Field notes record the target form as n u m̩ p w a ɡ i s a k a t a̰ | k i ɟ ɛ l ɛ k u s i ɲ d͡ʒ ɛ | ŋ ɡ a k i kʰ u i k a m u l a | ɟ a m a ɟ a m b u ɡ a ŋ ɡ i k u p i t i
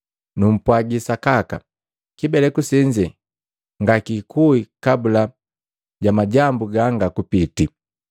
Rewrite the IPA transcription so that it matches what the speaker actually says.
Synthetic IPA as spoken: n u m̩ p w a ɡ i s a k a k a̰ | k i b ɛ l ɛ k u s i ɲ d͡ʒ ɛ | ŋ ɡ a k i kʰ u i k a b u l a | ɟ a m a ɟ a m b u ɡ a ŋ ɡ a k u p i t i